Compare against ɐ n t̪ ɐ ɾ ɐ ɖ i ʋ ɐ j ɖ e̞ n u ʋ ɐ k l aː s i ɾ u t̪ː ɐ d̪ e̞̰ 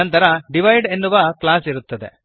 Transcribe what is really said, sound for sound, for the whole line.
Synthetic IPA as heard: ɐ n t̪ ɐ ɾ ɐ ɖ i ʋ ɐ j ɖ e̞ nː u ʋ ɐ k l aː s i ɾ u t̪ː ɐ d̪ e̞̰

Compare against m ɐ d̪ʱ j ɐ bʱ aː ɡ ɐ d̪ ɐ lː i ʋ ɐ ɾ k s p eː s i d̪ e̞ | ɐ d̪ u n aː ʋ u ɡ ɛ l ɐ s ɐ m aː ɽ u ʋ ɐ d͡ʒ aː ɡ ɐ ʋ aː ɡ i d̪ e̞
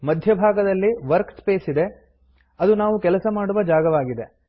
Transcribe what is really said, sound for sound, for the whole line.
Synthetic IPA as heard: m ɐ d̪ʱ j ɐ bʱ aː ɡ ɐ d̪ ɐ lː i ʋ ɐ ɾ k s p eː s i d̪ e̞ | ɐ d̪ u n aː ʋ u k ɛ l ɐ s ɐ m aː ɽ u ʋ ɐ d͡ʒ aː ɡ ɐ ʋ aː ɡ i d̪ e̞

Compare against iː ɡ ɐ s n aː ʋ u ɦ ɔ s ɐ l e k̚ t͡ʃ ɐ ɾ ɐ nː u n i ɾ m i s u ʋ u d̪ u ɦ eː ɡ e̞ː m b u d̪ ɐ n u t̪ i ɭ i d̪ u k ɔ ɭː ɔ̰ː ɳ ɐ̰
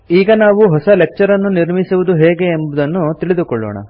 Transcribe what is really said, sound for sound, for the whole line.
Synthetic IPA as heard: iː ɡ ɐ n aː ʋ u ɦ ɔ s ɐ l e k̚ t͡ʃ ɐ ɾ ɐ nː u n i ɾ m i s u ʋ u d̪ u ɦ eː ɡ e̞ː m b u d̪ ɐ nː u t̪ i ɭ i d̪ u k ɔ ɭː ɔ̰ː ɳ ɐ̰

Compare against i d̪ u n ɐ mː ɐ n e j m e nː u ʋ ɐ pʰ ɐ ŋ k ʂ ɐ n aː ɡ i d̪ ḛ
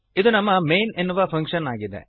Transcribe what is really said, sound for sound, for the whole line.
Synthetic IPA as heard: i d̪ u n ɐ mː ɐ m e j n e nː u ʋ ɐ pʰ ɐ ŋ k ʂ ɐ n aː ɡ i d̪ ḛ

